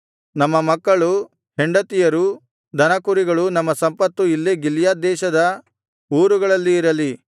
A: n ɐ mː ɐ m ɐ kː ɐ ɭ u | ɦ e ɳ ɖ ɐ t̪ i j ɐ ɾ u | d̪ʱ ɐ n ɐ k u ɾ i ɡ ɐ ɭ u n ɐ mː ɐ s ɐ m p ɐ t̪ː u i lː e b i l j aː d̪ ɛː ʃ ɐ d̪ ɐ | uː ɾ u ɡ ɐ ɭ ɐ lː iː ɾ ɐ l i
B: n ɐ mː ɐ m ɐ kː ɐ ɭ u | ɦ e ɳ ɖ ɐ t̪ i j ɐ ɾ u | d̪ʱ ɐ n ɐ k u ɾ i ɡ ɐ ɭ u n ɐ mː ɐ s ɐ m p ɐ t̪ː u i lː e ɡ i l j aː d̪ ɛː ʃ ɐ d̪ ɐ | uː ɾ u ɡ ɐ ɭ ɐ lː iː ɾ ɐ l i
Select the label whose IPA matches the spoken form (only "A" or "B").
B